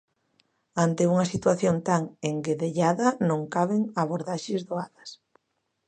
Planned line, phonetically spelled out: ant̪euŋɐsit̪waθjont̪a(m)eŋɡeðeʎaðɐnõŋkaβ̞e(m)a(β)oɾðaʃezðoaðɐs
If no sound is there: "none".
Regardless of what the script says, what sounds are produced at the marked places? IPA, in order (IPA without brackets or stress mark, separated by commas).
ŋ, ŋ, β